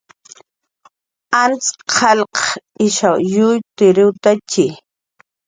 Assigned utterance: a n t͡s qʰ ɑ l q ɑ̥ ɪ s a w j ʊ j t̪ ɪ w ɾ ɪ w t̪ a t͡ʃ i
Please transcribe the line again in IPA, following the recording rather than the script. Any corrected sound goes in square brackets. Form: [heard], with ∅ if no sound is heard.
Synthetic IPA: a n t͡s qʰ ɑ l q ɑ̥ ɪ [ʃ] a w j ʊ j t̪ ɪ [∅] ɾ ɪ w t̪ a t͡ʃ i